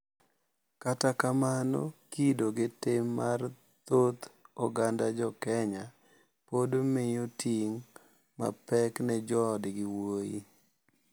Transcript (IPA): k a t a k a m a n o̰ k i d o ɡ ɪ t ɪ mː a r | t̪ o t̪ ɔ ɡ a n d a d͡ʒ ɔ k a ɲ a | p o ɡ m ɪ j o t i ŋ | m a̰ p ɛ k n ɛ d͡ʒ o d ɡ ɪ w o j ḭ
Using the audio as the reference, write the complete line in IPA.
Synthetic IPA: k a t a k a m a n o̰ k i d o ɡ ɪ t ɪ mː a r | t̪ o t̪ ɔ ɡ a n d a d͡ʒ ɔ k ɛ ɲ a | p o d m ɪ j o t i ŋ | m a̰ p ɛ k n ɛ d͡ʒ ɔ d ɡ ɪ w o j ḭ

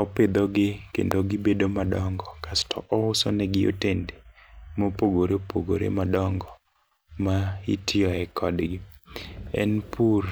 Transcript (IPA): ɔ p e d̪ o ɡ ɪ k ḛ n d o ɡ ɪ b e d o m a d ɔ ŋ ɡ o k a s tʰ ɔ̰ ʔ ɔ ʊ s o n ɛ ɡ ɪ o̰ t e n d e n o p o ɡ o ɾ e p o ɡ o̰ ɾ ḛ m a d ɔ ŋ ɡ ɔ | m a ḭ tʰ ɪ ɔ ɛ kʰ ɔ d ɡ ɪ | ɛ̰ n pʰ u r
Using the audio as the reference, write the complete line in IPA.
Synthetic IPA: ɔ p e d̪ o ɡ ɪ k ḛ n d o ɡ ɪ b e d o m a d ɔ ŋ ɡ ɔ k a s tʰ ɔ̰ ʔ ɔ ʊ s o n ɛ ɡ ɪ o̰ t e n d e m o p o ɡ o ɾ e p o ɡ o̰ ɾ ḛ m a d ɔ ŋ ɡ ɔ | m a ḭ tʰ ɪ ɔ ɛ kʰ ɔ d ɡ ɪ | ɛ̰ n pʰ u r

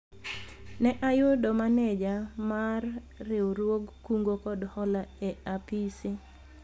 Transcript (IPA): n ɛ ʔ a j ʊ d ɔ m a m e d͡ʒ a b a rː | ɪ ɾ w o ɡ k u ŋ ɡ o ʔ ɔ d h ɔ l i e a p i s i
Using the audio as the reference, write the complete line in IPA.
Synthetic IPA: n ɛ ʔ a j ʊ d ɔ m a n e d͡ʒ a m a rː | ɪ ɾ w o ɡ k u ŋ ɡ o k ɔ d h ɔ l a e a p i s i

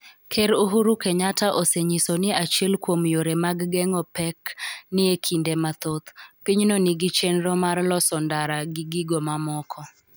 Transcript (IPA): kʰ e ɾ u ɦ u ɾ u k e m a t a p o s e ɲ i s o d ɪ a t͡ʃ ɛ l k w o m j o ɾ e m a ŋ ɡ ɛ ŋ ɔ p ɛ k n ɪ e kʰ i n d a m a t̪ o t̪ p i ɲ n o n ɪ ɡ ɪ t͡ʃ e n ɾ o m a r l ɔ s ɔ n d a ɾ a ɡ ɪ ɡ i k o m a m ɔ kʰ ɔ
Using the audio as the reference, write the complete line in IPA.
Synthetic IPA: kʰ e ɾ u ɦ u ɾ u k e ɲ a t a ʔ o s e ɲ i s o n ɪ a t͡ʃ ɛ l k w o m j o ɾ e m a ɡ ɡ ɛ ŋ ɔ p ɛ k n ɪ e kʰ i n d e m a t̪ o t̪ p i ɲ n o n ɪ ɡ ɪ t͡ʃ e n ɾ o m a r l ɔ s ɔ n d a ɾ a ɡ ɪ ɡ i ɡ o m a m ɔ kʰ ɔ

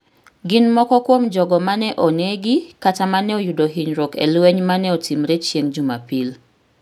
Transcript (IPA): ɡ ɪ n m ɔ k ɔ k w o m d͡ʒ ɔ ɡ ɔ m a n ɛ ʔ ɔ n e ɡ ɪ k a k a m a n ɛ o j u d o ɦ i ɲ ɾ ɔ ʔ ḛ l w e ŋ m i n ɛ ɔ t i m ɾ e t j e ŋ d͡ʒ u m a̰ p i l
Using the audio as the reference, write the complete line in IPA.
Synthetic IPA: ɡ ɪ n m ɔ k ɔ k w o m d͡ʒ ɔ ɡ ɔ m a n ɛ ʔ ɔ n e ɡ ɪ k a t a m a n ɛ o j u d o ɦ i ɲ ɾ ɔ k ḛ l w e ɲ m a n ɛ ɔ t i m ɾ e t͡ʃ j e ŋ d͡ʒ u m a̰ p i l

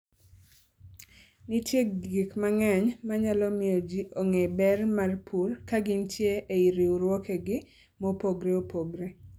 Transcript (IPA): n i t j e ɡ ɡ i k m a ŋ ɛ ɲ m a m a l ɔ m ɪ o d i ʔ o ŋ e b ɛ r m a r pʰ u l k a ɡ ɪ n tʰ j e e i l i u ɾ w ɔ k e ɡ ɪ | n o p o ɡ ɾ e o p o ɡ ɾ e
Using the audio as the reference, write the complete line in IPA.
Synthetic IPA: n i t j e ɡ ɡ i k m a ŋ ɛ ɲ m a ɲ a l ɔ m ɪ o d͡ʒ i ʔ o ŋ e b ɛ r m a r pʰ u l k a ɡ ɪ n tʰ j e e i ɾ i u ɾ w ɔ k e ɡ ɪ | m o p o ɡ ɾ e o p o ɡ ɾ e

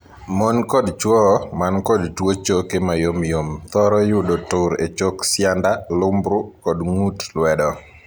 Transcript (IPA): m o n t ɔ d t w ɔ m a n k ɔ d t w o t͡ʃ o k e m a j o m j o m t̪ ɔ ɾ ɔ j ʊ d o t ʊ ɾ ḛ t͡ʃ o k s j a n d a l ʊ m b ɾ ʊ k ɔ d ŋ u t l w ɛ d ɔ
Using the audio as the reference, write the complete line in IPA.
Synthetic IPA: m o n k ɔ d t͡ʃ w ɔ m a n k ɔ d t w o t͡ʃ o k e m a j o m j o m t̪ ɔ ɾ ɔ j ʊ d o t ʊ ɾ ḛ t͡ʃ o k s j a n d a l ʊ m b ɾ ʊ k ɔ d ŋ u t l w ɛ d ɔ

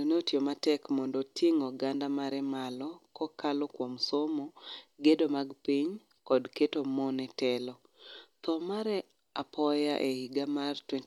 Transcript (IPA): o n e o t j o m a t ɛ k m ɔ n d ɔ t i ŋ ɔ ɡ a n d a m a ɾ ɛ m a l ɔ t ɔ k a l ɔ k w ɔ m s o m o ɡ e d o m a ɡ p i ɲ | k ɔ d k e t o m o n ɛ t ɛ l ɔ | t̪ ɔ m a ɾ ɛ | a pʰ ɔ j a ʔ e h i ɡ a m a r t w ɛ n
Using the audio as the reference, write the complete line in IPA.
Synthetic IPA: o n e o t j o m a t ɛ k m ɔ n d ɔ t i ŋ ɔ ɡ a n d a m a ɾ ɛ m a l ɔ k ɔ k a l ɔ k w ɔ m s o m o ɡ e d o m a ɡ p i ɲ | k ɔ d k e t o m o n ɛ t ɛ l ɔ | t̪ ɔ m a ɾ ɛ | a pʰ ɔ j a ʔ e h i ɡ a m a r t w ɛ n

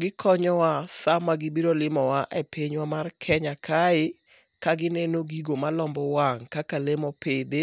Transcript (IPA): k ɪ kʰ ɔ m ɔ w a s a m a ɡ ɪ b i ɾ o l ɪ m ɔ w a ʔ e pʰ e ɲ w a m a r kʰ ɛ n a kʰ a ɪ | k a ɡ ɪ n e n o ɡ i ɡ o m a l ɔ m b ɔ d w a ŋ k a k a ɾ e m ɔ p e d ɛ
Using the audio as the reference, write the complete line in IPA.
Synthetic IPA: ɡ ɪ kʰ ɔ ɲ ɔ w a s a m a ɡ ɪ b i ɾ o l ɪ m ɔ w a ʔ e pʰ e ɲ w a m a r kʰ ɛ ɲ a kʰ a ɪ | k a ɡ ɪ n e n o ɡ i ɡ o m a l ɔ m b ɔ w a ŋ k a k a l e m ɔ p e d e

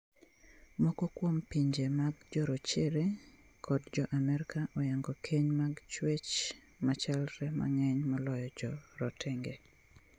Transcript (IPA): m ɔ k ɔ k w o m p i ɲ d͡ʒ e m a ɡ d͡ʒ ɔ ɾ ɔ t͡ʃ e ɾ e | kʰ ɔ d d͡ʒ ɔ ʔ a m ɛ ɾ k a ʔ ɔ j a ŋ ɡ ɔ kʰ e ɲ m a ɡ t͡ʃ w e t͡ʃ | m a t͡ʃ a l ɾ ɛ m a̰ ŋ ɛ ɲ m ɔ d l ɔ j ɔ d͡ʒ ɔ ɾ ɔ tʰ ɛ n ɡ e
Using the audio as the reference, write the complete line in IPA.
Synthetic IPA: m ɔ k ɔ k w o m p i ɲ d͡ʒ e m a ɡ d͡ʒ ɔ ɾ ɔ t͡ʃ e ɾ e | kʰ ɔ d d͡ʒ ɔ ʔ a m ɛ ɾ k a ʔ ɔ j a ŋ ɡ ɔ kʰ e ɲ m a ɡ t͡ʃ w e t͡ʃ | m a t͡ʃ a l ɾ ɛ m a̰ ŋ ɛ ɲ m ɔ l ɔ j ɔ d͡ʒ ɔ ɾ ɔ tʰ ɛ ŋ ɡ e

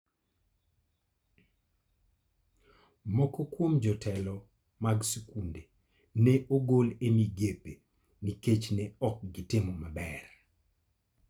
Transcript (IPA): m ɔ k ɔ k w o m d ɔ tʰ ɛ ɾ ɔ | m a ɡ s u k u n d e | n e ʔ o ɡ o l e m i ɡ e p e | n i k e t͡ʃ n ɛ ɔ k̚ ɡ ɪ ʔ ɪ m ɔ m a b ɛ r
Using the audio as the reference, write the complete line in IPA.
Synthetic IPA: m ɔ k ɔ k w o m d͡ʒ ɔ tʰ ɛ l ɔ | m a ɡ s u k u n d e | n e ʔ o ɡ o l e m i ɡ e p e | n i k e t͡ʃ n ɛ ɔ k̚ ɡ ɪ t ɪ m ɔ m a b ɛ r

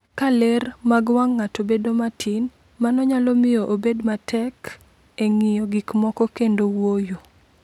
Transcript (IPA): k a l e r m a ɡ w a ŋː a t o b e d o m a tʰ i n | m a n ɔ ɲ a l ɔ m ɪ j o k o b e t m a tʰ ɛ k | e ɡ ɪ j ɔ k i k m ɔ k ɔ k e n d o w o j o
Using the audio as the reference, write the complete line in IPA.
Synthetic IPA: k a l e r m a ɡ w a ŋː a t o b e d o m a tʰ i n | m a n ɔ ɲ a l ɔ m ɪ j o ʔ o b e d m a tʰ ɛ k | e ŋ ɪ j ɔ ɡ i k m ɔ k ɔ k e n d o w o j o

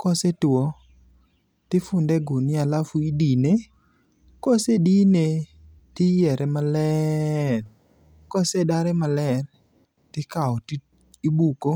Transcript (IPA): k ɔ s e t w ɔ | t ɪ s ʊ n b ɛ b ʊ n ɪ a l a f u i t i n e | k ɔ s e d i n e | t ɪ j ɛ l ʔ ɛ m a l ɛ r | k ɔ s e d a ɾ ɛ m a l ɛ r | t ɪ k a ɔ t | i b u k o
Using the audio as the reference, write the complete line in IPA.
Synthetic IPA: k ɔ s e t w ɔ | t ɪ f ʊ n d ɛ ɡ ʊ n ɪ a l a f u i d i n e | k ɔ s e d i n e | t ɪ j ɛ ɾ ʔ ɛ m a l ɛ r | k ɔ s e d a ɾ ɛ m a l ɛ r | t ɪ k a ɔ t | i b u k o

